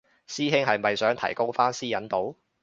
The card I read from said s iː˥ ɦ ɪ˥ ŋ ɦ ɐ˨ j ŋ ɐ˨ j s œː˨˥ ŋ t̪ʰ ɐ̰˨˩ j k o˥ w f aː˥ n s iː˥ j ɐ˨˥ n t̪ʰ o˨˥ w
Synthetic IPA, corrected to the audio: s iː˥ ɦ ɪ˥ ŋ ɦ ɐ˨ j m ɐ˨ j s œː˨˥ ŋ t̪ʰ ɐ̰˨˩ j k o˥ w f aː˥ n s iː˥ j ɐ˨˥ n t̪ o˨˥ w